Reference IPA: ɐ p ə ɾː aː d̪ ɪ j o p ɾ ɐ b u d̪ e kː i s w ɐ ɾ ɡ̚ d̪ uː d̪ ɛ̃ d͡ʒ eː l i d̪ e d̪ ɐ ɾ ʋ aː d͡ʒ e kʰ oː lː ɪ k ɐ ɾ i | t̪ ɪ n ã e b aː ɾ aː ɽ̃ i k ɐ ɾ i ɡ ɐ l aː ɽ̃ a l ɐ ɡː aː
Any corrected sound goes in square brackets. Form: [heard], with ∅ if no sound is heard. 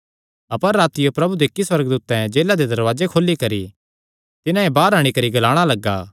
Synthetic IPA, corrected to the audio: ɐ p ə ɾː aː [t̪] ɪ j o p ɾ ɐ b u d̪ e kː i s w ɐ ɾ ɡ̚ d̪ uː [t̪] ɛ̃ d͡ʒ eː l [a] d̪ e d̪ ɐ ɾ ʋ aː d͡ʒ e kʰ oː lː [i] k ɐ ɾ i | t̪ ɪ n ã e b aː ɾ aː ɽ̃ i k ɐ ɾ i ɡ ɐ l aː ɽ̃ a l ɐ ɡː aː